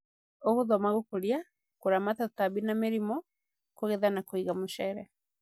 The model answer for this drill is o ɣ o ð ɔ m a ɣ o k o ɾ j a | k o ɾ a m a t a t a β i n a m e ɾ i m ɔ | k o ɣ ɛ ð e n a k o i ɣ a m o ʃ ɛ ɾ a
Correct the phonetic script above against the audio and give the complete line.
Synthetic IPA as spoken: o ɣ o ð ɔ m a ɣ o k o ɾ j a | k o ɾ a m a t a t a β i n a m e ɾ i m ɔ | k o ɣ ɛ ð a n a k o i ɣ a m o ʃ ɛ ɾ ɛ